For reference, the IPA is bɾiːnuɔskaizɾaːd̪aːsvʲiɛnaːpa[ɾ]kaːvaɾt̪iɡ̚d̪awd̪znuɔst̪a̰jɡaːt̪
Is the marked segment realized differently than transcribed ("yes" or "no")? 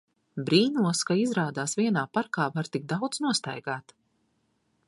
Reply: no